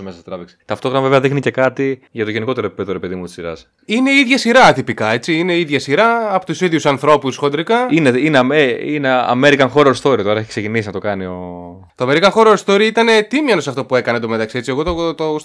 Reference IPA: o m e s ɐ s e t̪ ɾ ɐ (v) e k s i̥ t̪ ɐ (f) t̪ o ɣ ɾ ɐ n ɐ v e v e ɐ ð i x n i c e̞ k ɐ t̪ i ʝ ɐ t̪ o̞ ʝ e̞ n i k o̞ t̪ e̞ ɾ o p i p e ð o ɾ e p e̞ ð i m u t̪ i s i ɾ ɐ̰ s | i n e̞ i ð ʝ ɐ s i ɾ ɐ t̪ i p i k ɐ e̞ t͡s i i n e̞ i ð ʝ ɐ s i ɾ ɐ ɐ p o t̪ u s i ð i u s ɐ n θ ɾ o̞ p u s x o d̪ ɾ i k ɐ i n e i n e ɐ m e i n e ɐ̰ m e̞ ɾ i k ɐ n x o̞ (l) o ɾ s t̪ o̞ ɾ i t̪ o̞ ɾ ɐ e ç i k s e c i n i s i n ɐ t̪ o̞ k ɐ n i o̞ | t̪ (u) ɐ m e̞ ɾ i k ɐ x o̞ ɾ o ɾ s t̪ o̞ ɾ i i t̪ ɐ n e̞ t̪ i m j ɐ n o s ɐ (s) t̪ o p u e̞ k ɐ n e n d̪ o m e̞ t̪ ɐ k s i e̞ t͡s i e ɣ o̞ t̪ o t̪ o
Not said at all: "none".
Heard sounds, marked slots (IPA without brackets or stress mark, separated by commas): v, f, ɾ, o, f